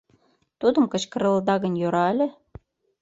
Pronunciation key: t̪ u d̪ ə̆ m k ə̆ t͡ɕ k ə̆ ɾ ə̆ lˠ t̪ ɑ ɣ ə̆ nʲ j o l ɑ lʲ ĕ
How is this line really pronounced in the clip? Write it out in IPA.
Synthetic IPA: t̪ u d̪ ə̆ m k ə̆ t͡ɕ k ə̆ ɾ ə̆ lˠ d̪ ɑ ɣ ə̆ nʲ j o ɾ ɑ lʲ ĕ

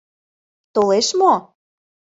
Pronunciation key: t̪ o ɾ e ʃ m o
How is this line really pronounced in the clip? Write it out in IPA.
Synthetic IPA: t̪ o l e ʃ m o

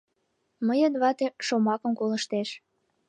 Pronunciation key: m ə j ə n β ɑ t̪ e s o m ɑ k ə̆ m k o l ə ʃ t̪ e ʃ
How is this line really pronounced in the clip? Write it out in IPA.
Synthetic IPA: m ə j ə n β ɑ t̪ e ʃ o m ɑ k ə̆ m k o l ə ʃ t̪ e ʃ

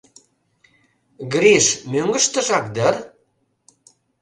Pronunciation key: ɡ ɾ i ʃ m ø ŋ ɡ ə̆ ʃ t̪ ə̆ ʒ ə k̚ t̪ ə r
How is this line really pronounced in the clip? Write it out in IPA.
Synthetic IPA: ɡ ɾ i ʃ m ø ŋ ɡ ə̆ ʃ t̪ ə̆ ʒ ɑ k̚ d̪ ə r

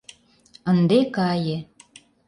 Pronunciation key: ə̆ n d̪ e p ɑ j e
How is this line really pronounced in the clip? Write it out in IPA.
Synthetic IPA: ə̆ n d̪ e k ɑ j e

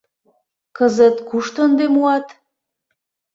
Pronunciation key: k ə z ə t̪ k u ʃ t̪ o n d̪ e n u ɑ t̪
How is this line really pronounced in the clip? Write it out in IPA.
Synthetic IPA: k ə z ə t̪ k u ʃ t̪ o n d̪ e m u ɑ t̪

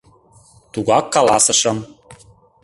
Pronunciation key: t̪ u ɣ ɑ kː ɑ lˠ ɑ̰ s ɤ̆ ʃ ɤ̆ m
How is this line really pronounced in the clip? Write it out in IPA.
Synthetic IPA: t̪ u ɣ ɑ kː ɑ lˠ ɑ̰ s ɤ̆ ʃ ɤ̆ m

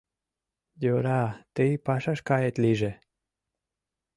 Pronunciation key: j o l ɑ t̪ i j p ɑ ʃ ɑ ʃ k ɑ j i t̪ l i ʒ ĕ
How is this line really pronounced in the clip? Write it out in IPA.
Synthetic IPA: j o ɾ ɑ t̪ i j p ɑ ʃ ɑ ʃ k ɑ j e t̪ l i ʒ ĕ

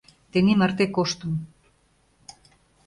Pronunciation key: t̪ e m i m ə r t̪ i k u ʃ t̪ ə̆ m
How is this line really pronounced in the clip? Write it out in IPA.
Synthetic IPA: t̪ e n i m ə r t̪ e k o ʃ t̪ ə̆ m

